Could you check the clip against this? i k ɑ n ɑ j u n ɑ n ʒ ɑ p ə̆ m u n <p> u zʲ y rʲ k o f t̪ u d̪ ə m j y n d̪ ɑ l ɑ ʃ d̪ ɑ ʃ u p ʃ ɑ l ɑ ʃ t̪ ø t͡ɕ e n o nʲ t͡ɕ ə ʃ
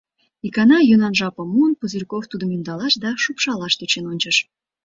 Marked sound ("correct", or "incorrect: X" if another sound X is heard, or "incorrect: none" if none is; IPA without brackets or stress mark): correct